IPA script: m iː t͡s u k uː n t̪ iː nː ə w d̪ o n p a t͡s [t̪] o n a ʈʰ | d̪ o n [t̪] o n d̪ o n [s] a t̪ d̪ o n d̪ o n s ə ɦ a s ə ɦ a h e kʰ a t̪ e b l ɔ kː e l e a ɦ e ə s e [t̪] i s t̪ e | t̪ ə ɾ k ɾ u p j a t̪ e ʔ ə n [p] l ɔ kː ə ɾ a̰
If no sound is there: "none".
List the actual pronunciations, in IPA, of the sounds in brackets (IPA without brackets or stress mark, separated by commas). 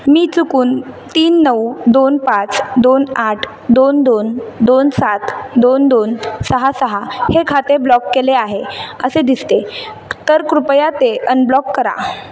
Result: d̪, d̪, s, d̪, b